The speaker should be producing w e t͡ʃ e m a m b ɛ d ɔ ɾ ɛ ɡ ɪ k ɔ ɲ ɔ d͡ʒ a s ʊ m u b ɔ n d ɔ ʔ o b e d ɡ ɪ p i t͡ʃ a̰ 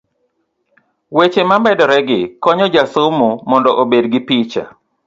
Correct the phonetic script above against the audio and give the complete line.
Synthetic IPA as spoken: w e t͡ʃ e m a m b ɛ d ɔ ɾ ɛ ɡ ɪ k ɔ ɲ ɔ d͡ʒ a s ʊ m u m ɔ n d ɔ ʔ o b e d ɡ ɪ p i t͡ʃ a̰